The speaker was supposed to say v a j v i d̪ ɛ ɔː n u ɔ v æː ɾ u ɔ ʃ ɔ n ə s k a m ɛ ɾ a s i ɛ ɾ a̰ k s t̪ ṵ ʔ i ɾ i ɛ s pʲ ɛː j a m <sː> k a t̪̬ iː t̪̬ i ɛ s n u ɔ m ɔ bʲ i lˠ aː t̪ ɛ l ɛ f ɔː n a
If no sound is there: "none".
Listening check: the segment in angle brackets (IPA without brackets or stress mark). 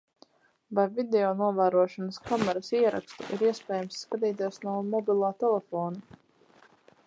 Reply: sː